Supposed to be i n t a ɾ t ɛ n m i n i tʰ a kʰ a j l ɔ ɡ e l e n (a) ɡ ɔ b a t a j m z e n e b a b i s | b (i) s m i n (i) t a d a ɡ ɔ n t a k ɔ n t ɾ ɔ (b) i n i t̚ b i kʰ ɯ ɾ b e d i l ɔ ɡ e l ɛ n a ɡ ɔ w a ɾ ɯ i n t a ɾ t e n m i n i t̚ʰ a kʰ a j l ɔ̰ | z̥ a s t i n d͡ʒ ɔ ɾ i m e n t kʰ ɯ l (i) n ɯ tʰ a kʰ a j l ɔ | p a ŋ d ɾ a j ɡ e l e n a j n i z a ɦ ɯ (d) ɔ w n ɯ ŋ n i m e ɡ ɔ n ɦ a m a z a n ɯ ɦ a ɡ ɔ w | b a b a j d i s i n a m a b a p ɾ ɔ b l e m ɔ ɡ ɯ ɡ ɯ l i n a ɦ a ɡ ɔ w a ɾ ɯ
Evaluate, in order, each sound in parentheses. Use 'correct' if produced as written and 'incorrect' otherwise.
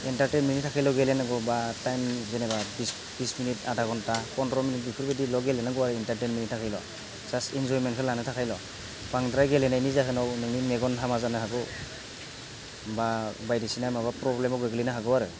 correct, correct, correct, incorrect: m, incorrect: a, incorrect: n

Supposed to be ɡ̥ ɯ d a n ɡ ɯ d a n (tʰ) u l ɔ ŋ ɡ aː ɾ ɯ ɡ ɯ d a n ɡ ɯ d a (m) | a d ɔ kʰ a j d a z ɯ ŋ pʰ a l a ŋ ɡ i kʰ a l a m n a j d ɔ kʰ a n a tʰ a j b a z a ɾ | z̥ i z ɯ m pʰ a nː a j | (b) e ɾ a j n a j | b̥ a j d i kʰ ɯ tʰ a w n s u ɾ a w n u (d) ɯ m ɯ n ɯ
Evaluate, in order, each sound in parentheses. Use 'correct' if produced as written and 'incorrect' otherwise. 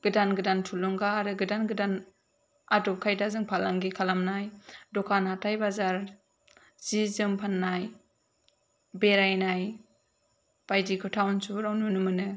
correct, incorrect: n, correct, incorrect: n

